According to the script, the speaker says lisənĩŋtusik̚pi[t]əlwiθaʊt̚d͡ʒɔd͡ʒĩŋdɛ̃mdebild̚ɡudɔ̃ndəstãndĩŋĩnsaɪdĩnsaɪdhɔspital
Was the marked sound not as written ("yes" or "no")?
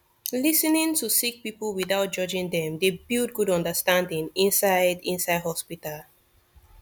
yes